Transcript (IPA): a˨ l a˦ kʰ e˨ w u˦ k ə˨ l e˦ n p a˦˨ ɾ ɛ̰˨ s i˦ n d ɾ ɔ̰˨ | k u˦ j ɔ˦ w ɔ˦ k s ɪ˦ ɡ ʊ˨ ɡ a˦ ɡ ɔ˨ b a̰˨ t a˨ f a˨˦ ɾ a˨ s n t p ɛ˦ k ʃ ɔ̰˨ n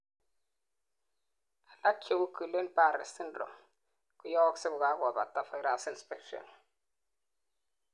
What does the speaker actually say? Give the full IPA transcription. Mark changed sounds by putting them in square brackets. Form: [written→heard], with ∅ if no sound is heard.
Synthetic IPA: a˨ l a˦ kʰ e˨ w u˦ k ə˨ l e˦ n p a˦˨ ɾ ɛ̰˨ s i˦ n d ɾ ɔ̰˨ | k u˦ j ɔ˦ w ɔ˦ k s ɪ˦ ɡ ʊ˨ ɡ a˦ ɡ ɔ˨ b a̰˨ t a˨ f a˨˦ ɾ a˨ s n [t→s] p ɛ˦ k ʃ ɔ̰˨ n

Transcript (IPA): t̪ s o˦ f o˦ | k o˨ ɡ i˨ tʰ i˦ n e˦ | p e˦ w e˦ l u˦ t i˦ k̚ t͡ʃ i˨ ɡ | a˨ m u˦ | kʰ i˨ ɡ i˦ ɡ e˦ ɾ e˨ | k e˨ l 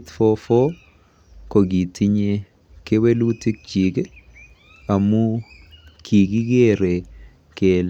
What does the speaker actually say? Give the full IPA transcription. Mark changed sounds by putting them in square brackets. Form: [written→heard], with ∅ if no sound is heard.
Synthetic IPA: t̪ [s→f] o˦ f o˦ | k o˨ ɡ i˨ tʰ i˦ [n→ɲ] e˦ | [p→k] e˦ w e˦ l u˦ t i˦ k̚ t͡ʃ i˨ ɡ | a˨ m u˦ | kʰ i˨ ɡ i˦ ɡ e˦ ɾ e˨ | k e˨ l

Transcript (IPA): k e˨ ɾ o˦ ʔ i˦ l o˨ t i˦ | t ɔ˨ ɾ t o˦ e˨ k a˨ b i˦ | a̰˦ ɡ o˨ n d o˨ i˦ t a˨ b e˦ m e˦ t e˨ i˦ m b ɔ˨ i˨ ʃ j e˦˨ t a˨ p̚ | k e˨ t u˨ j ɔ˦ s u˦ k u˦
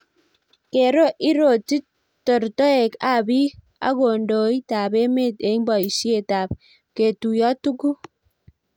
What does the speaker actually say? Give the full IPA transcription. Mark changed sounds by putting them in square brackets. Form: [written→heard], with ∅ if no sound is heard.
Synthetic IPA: k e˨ ɾ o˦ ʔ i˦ [l→ɾ] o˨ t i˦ | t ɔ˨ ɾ t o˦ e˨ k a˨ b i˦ | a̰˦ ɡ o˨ n d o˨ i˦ t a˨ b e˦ m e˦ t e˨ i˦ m b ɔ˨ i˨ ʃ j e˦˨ t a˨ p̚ | k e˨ t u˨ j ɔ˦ [s→t] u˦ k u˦

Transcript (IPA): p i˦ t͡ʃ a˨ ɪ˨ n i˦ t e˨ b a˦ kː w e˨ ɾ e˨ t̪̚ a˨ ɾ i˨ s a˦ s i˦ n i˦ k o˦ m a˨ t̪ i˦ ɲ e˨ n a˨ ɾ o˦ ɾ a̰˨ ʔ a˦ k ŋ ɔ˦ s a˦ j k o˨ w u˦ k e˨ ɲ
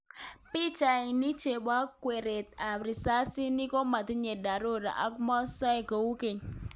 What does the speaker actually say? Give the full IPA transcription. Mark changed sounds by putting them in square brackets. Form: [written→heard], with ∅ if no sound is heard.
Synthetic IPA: p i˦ t͡ʃ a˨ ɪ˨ n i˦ [t→t͡ʃ] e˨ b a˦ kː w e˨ ɾ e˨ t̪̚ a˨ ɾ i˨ s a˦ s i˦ n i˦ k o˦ m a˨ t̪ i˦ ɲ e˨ [n→d] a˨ ɾ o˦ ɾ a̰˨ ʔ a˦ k [ŋ→m] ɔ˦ s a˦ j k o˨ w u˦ k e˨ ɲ

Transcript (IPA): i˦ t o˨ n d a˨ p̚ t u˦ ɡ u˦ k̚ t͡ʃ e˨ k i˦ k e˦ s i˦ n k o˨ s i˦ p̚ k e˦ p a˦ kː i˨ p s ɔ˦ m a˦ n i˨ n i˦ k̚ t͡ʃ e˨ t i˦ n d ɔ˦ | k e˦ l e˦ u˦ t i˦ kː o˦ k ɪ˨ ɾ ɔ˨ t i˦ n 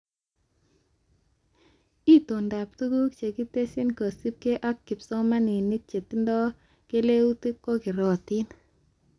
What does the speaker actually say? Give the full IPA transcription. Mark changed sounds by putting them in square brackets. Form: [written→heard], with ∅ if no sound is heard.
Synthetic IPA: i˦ t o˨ n d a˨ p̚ t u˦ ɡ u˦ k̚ t͡ʃ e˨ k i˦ [k→t] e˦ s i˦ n k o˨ s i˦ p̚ k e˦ [p→ʔ] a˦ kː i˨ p s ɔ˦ m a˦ n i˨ n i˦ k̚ t͡ʃ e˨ t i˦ n d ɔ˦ | k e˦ l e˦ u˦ t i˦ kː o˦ k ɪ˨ ɾ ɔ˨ t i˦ n

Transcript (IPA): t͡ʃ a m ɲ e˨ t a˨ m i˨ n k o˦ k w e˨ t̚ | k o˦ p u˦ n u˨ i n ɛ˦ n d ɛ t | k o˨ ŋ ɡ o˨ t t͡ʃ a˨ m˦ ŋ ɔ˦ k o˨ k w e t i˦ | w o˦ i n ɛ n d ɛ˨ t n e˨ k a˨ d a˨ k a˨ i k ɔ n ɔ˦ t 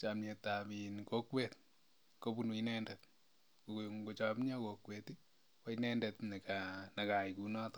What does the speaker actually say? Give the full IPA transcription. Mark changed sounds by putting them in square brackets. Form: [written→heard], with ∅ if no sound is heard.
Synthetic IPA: t͡ʃ a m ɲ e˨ t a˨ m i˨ n k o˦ k w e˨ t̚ | k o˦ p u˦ n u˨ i n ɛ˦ n d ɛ t | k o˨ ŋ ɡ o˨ [t→∅] t͡ʃ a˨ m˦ [ŋ→ɲ] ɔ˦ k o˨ k w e t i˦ | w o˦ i n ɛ n d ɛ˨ t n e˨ k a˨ [d→n] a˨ k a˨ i k [ɔ→u] n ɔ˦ t

